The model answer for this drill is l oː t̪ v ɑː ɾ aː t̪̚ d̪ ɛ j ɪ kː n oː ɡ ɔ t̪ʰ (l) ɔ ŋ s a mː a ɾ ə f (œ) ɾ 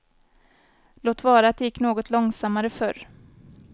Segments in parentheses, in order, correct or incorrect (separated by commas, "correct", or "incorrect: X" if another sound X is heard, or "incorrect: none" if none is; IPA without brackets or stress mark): correct, correct